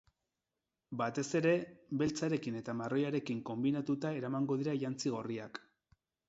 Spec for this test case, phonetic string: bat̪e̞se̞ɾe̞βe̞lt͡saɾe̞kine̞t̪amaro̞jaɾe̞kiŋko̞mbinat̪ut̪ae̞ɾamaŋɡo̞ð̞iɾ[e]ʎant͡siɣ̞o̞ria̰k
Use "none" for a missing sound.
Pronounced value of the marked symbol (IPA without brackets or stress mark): a